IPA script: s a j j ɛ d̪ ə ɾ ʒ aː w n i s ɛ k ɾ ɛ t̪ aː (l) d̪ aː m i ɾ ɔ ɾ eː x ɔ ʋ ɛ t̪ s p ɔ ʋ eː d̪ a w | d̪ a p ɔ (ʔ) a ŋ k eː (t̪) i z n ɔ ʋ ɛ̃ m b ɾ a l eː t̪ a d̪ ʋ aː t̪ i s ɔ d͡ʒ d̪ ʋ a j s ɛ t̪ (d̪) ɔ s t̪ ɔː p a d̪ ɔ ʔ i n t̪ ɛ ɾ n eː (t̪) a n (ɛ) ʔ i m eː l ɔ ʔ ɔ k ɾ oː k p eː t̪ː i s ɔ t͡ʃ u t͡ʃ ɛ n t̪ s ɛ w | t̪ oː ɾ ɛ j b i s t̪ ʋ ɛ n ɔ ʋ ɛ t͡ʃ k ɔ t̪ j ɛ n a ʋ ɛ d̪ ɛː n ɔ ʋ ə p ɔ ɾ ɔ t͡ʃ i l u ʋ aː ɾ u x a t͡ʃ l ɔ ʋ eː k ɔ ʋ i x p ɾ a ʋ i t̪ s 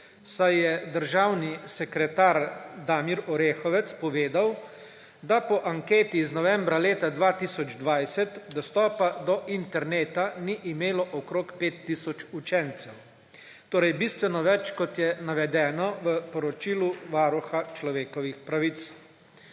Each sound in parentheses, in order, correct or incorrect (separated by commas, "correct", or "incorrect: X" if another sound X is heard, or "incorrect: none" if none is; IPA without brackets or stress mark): incorrect: ɾ, correct, correct, correct, correct, incorrect: i